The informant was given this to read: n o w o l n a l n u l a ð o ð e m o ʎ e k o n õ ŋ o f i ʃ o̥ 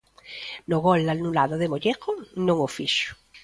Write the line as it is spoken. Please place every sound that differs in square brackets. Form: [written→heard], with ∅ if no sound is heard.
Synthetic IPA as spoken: n o [w→ɣ] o l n a l n u l a ð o ð e m o ʎ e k o n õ ŋ o f i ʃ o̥